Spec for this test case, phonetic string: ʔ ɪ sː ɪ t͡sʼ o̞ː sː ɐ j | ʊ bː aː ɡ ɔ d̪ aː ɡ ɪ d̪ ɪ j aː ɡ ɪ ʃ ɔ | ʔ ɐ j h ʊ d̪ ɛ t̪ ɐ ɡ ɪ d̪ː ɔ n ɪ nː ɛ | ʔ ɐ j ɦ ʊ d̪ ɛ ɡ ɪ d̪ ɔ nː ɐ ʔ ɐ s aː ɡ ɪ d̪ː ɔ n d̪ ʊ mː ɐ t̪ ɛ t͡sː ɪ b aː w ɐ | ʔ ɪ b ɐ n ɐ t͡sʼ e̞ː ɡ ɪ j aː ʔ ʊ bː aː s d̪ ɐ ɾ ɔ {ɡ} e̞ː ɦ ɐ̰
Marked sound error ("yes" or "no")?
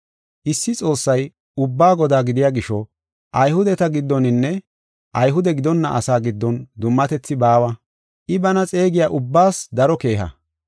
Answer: yes